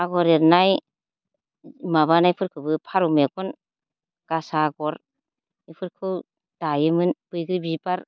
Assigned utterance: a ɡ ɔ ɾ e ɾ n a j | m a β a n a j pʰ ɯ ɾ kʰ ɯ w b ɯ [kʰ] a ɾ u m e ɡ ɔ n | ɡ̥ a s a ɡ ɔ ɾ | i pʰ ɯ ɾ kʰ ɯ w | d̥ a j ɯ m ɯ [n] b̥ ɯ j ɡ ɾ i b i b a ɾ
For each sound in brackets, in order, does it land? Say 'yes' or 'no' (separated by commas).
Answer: no, yes